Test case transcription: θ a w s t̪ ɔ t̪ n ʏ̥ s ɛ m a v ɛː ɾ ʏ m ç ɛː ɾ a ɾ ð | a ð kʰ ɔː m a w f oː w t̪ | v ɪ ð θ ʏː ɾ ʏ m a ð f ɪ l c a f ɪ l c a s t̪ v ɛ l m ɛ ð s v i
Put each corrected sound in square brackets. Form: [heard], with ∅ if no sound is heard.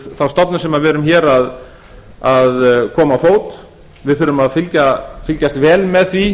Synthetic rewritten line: θ a w s t̪ ɔ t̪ n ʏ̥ s ɛ m a v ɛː ɾ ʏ m ç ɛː ɾ a [∅] ð | a ð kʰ ɔː m a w f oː w t̪ | v ɪ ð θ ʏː ɾ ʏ m a ð f ɪ l c a f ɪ l c a s t̪ v [ɛː] l m ɛ ð [θ] v i